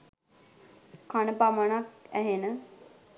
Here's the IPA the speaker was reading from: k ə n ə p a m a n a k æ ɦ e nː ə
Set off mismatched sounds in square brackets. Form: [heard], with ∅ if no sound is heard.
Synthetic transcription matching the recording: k [a] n ə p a m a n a k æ ɦ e [n] ə